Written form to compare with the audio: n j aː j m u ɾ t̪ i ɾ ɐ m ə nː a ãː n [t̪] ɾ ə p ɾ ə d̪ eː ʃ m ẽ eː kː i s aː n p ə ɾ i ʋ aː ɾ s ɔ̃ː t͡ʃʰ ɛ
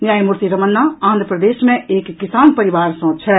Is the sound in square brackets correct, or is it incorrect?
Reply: incorrect